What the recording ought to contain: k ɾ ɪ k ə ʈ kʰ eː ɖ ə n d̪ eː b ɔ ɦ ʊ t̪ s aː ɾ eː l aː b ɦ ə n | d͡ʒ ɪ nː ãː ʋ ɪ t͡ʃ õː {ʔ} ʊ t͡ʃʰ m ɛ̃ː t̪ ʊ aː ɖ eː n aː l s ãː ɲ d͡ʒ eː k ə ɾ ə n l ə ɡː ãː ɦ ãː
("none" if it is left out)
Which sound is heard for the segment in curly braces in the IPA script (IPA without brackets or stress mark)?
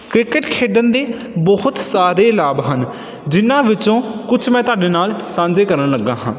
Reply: k